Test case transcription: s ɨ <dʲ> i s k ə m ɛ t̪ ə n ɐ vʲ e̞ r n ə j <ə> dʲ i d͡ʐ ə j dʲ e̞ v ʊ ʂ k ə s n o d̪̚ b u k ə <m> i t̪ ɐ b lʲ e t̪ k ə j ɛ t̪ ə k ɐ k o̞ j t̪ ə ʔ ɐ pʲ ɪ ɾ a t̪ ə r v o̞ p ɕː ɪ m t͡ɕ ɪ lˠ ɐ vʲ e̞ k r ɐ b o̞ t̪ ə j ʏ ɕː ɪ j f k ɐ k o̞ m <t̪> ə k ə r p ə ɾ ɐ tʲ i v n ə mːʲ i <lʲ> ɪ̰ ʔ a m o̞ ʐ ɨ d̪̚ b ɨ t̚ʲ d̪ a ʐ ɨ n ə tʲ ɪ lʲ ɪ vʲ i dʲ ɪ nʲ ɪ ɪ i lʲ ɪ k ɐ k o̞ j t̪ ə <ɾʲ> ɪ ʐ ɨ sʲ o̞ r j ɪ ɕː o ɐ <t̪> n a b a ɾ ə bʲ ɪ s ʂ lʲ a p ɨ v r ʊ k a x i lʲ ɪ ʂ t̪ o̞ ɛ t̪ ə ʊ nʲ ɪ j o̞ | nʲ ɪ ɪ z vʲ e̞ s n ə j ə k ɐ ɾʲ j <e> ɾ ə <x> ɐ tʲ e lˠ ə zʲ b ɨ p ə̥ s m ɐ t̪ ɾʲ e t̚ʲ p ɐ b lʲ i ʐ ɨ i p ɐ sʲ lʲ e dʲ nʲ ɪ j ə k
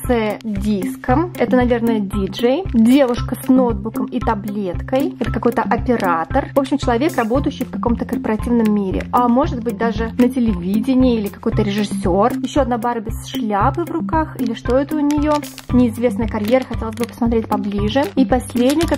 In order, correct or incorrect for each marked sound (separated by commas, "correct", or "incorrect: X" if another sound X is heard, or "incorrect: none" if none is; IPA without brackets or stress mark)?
correct, correct, correct, correct, incorrect: ɾʲ, correct, incorrect: d̪, correct, correct